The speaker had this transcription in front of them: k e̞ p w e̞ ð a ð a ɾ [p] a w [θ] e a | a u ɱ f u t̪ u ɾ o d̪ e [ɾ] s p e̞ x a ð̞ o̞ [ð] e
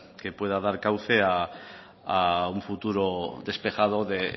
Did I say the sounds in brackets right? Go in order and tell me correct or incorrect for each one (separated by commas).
incorrect, correct, incorrect, correct